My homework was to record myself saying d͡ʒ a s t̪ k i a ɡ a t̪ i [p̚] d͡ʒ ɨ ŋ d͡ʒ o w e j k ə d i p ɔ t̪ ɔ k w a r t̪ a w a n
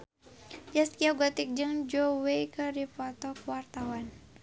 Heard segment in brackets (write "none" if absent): k̚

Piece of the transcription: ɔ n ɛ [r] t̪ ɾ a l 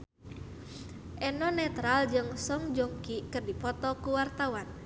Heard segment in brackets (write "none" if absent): none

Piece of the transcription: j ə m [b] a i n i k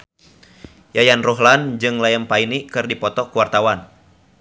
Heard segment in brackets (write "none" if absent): p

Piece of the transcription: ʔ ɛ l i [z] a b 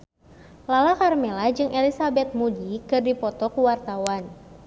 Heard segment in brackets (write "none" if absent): s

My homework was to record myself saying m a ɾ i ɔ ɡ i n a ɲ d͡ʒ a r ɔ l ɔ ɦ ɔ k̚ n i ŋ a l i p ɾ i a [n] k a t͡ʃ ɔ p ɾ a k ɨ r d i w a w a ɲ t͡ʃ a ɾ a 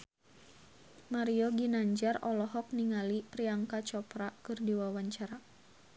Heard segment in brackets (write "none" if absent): ŋ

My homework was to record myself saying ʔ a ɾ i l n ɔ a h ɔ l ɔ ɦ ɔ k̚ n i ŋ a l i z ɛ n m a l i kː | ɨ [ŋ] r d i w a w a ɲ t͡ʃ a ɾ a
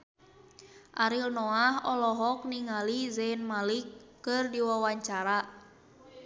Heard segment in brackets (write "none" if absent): none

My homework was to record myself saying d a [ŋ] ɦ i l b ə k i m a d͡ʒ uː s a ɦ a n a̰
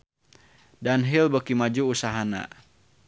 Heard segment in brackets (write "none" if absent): n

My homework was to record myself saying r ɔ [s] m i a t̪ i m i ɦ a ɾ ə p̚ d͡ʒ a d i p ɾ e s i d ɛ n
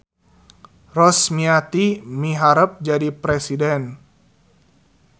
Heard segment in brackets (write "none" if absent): s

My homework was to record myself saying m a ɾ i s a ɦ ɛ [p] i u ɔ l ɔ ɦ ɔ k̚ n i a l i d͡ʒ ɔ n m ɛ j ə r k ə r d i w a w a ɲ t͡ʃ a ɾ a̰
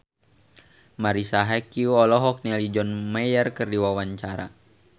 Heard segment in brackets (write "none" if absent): k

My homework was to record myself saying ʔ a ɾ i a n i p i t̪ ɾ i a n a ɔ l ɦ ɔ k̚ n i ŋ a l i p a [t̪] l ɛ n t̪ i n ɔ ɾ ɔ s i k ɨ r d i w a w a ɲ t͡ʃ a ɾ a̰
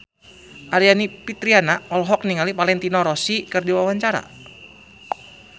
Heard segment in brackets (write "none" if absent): none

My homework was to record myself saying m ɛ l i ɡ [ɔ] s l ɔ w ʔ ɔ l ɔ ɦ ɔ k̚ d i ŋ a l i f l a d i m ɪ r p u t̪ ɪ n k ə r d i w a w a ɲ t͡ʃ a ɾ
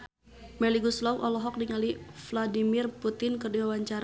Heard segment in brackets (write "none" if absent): u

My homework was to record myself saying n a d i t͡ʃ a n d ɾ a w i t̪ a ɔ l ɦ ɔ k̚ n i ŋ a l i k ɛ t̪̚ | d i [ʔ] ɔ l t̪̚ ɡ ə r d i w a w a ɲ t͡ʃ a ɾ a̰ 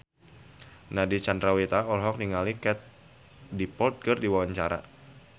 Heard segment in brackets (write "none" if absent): p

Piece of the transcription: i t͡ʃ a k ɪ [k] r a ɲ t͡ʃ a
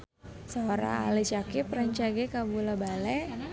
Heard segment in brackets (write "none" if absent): p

